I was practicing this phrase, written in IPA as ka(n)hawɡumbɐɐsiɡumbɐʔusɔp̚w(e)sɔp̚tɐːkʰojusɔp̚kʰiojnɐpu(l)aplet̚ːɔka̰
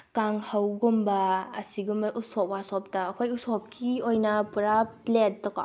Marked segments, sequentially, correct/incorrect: incorrect: ŋ, incorrect: a, incorrect: ɾ

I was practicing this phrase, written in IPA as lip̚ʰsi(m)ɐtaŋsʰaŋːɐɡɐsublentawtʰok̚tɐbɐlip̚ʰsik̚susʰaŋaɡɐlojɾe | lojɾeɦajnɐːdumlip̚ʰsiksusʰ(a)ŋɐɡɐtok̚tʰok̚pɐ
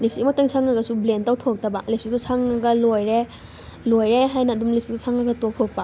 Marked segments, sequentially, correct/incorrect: correct, correct

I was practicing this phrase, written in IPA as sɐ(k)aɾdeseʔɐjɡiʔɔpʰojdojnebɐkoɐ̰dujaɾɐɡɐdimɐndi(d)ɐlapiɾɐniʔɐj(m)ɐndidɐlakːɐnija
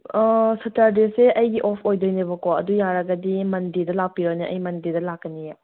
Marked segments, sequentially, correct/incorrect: incorrect: t, correct, correct

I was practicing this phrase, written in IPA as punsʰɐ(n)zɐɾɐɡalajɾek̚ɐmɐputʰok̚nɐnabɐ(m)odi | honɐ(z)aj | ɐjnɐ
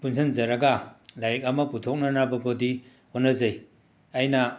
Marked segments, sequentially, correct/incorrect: correct, incorrect: b, correct

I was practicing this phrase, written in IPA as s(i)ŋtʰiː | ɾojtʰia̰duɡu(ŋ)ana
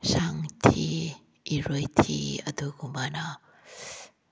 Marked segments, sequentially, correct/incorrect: incorrect: a, incorrect: m

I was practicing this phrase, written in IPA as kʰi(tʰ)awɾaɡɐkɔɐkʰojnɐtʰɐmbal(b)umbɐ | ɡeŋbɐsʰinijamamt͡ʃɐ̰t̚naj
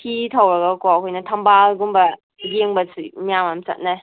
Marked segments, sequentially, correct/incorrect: correct, incorrect: ɡ

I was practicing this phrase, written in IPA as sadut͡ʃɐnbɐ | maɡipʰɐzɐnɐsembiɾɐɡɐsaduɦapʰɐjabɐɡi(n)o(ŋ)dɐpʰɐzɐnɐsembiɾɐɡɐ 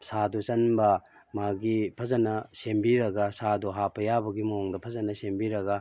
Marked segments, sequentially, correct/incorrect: incorrect: m, correct

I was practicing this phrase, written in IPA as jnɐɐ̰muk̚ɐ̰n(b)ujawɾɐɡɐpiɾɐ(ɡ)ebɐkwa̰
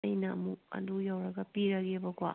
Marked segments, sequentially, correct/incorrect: incorrect: d, correct

